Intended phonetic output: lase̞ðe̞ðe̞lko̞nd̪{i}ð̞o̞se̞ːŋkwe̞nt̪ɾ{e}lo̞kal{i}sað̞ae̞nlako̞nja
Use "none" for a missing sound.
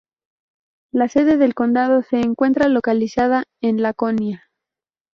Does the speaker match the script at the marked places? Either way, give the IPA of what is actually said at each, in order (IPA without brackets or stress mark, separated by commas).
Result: a, a, i